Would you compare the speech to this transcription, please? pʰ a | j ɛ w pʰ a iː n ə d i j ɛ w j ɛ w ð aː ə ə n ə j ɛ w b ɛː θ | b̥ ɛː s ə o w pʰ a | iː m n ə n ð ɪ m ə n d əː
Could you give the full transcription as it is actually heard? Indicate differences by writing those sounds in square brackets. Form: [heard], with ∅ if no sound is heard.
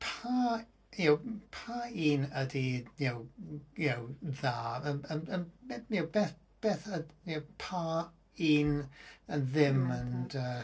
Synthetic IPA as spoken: pʰ a | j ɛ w pʰ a iː n ə d i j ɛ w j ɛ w ð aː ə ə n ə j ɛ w b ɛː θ | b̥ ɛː [θ] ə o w pʰ a | iː [∅] n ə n ð ɪ m ə n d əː